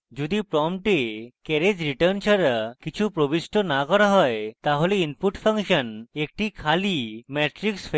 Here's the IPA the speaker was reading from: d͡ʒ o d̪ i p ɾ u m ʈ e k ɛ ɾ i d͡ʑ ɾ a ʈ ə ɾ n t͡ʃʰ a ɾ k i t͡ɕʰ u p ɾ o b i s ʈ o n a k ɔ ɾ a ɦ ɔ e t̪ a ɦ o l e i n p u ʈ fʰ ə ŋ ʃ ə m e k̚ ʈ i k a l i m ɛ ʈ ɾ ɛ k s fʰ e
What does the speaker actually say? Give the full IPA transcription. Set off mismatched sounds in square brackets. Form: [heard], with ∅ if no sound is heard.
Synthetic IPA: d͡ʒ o d̪ i p ɾ [ɔ] m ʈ e k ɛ ɾ [e] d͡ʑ ɾ [i] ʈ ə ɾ n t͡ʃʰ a ɾ k i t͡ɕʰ u p ɾ o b i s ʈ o n a k ɔ ɾ a ɦ ɔ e t̪ a ɦ o l e i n p u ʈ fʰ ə ŋ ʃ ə [n] e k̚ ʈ i [kʰ] a l i m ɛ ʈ ɾ [i] k s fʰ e